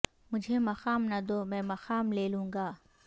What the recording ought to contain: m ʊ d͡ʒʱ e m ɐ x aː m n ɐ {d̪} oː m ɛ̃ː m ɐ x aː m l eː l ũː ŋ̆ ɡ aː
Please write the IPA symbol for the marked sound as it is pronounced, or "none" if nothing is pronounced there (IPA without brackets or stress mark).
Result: d̪